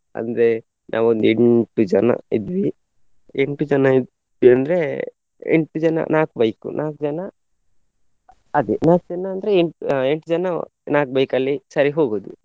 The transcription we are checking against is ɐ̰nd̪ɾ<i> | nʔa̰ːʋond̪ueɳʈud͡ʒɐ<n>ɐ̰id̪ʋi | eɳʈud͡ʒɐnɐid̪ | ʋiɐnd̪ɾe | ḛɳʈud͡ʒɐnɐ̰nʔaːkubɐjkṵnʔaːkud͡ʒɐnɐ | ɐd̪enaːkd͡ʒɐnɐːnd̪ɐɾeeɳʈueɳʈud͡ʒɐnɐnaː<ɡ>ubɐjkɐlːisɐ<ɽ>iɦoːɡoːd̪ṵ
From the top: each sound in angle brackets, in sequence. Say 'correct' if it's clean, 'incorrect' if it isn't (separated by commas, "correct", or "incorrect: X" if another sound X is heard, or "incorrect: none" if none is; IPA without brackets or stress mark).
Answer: incorrect: e, correct, incorrect: k, incorrect: ɾ